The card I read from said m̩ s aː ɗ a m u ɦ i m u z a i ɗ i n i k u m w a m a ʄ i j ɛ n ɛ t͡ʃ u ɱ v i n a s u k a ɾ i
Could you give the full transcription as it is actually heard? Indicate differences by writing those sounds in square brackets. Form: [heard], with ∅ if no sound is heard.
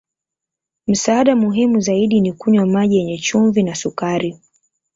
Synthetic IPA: m̩ s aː ɗ a m u ɦ i m u z a i ɗ i n i k u [ɲ] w a m a ʄ i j ɛ [ɲ] ɛ t͡ʃ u ɱ v i n a s u k a ɾ i